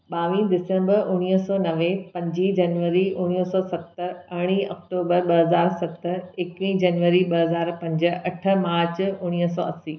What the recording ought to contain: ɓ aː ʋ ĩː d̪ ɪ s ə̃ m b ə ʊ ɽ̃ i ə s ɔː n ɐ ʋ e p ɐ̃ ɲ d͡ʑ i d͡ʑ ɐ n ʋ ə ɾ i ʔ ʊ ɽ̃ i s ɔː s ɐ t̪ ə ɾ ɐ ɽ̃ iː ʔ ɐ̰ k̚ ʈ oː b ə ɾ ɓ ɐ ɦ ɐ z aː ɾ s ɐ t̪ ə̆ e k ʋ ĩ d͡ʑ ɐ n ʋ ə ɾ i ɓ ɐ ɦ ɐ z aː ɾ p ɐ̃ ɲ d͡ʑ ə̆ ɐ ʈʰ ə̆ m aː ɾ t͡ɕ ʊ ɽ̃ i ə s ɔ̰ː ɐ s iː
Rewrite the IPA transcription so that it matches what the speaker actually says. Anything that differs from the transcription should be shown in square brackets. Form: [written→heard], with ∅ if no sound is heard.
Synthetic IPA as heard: ɓ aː ʋ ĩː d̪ ɪ s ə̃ m b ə ʊ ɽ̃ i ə s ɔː n ɐ ʋ e p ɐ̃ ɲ d͡ʑ i d͡ʑ ɐ n ʋ ə ɾ i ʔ ʊ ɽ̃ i s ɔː s ɐ t̪ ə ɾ ɐ ɽ̃ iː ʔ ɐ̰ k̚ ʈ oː b ə ɾ ɓ ɐ ɦ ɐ z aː ɾ s ɐ t̪ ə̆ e k ʋ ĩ d͡ʑ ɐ n ʋ ə ɾ i ɓ ɐ ɦ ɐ z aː ɾ p ɐ̃ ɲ d͡ʑ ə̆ ɐ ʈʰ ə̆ m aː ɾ t͡ɕ ʊ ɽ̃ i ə s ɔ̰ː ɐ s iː

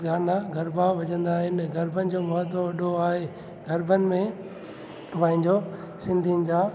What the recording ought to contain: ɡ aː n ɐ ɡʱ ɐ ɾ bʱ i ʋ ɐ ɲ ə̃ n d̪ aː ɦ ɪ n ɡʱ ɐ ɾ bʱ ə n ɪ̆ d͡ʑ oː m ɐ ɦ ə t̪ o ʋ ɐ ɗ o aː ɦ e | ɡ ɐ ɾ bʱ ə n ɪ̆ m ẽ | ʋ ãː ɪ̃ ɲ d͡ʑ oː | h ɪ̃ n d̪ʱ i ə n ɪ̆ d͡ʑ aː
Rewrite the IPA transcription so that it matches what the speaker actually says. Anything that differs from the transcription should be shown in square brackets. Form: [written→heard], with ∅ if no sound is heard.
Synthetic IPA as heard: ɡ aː n [ɐ→a] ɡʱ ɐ ɾ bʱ [i→a] ʋ ɐ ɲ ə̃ n d̪ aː ɦ ɪ n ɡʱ ɐ ɾ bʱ ə n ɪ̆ d͡ʑ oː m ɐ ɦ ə t̪ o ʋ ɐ ɗ o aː ɦ e | ɡ ɐ ɾ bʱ ə n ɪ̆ m ẽ | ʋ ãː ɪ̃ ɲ d͡ʑ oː | [h→s] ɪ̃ n d̪ʱ i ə n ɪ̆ d͡ʑ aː

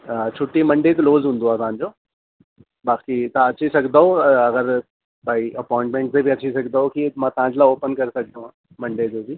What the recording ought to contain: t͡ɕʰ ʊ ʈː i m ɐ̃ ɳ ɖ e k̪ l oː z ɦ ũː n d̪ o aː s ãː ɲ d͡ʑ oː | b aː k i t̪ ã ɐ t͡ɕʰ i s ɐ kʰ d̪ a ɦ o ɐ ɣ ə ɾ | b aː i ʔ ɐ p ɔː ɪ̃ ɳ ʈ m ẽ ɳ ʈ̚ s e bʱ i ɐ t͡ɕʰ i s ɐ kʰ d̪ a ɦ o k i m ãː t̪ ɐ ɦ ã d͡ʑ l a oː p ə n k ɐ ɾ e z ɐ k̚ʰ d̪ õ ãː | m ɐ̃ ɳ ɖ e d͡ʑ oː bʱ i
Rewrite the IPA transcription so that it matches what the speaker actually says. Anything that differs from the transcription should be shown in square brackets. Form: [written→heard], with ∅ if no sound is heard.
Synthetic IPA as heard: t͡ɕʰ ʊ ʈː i m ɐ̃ ɳ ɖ e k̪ l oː z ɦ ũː n d̪ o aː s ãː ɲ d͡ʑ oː | b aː k i t̪ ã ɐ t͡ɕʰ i s ɐ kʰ d̪ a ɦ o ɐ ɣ ə ɾ | b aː i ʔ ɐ p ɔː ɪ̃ ɳ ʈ m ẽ ɳ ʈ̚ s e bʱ i ɐ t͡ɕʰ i s ɐ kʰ d̪ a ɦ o k i m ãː t̪ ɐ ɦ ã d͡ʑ l a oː p ə n k ɐ ɾ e [z→s] ɐ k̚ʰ d̪ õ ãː | m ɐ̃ ɳ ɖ e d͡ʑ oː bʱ i

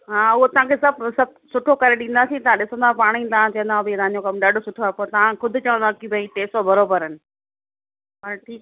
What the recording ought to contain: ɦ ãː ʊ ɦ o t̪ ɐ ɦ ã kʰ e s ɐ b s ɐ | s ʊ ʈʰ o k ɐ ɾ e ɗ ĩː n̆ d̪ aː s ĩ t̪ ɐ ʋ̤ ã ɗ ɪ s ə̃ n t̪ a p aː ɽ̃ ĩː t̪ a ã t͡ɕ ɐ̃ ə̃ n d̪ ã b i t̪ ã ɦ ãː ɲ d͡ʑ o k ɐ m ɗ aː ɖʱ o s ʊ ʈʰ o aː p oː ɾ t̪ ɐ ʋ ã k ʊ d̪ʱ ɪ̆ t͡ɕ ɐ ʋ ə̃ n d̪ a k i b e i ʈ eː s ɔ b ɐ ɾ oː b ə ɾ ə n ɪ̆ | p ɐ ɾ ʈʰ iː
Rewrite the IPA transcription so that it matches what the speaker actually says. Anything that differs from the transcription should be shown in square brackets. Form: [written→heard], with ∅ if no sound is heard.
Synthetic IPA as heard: ɦ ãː ʊ ɦ o t̪ ɐ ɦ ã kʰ e s ɐ b s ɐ | s ʊ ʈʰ o k ɐ ɾ e ɗ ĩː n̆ d̪ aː s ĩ t̪ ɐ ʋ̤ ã ɗ ɪ s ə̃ n [t̪→d̪] a p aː ɽ̃ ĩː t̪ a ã t͡ɕ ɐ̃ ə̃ n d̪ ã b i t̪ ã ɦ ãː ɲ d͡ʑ o k ɐ m ɗ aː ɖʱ o s ʊ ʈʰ o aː p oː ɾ t̪ ɐ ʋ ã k ʊ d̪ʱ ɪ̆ t͡ɕ ɐ ʋ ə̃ n d̪ a k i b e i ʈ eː s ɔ b ɐ ɾ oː b ə ɾ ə n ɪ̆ | p ɐ ɾ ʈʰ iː

